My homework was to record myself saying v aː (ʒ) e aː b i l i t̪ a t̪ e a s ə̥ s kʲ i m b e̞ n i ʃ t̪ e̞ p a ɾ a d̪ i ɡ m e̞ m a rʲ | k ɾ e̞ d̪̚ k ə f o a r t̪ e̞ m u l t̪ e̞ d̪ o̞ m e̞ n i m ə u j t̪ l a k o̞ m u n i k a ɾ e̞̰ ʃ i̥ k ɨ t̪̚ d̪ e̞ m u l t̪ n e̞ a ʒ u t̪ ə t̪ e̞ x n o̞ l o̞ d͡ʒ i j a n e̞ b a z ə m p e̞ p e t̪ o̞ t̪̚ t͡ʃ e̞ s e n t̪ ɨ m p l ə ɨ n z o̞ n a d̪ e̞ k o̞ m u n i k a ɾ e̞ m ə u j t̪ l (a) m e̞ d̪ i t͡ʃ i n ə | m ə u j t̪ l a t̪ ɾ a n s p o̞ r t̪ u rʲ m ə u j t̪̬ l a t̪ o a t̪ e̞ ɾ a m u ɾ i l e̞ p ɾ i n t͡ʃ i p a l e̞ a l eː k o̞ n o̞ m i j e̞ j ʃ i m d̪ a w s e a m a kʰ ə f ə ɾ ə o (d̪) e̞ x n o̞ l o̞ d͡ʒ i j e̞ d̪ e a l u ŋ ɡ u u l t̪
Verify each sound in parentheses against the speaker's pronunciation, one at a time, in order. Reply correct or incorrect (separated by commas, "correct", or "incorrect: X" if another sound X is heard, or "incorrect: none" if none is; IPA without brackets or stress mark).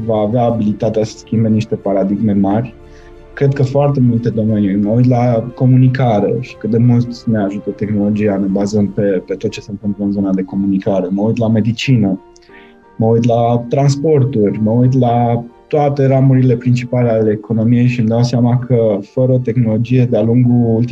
incorrect: v, correct, incorrect: t̪